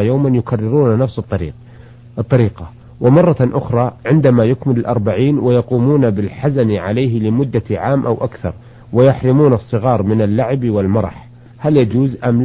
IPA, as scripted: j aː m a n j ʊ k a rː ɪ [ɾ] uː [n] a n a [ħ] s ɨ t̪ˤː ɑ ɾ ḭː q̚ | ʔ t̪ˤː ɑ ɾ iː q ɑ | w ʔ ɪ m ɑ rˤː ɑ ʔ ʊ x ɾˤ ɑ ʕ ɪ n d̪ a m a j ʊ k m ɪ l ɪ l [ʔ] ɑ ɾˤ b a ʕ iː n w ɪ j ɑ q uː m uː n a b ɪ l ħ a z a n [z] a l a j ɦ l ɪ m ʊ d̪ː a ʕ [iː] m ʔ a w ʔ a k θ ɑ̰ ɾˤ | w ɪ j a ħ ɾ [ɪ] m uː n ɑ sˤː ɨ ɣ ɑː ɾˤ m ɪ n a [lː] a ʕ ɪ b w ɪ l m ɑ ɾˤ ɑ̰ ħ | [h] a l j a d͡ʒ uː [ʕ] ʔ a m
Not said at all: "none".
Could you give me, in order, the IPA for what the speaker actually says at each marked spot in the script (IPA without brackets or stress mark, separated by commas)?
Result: ɾ, n, f, ʔ, ʕ, aː, ɪ, lː, h, z